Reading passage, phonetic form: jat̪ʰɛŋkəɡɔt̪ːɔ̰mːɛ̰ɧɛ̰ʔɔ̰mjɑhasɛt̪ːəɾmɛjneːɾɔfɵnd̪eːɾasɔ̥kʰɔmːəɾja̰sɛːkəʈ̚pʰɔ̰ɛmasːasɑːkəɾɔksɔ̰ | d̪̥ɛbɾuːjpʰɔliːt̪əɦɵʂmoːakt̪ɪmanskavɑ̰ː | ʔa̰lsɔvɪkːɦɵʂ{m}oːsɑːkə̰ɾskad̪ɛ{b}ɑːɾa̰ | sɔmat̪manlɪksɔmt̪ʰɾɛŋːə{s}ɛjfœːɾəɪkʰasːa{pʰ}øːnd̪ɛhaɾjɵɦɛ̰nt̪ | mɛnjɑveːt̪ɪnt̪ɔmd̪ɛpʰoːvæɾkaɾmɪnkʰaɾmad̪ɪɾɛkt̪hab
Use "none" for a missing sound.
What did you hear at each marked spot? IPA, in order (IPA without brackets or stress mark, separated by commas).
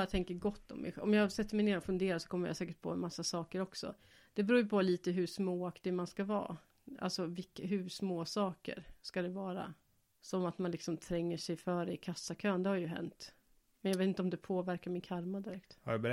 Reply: m, v, ʂ, kʰ